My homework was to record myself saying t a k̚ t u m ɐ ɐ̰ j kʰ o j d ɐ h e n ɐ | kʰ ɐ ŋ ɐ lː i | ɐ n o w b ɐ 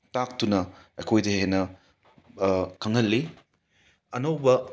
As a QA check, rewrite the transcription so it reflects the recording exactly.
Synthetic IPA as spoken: t a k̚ t u n ɐ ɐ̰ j kʰ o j d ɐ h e n ɐ | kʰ ɐ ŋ ɐ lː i | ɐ n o w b ɐ